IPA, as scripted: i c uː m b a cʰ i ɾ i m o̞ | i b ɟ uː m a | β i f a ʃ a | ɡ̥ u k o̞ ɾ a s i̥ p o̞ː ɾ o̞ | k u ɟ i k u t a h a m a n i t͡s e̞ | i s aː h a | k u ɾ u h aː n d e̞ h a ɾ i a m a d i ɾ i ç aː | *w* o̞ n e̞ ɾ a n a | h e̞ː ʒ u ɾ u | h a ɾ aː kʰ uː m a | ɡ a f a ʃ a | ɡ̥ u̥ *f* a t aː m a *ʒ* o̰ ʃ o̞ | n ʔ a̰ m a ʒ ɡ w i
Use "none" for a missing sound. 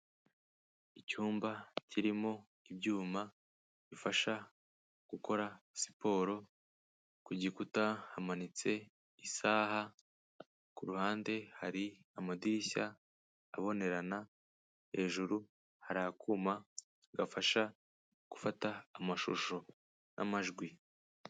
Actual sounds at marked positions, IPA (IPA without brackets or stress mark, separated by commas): β, f, ʃ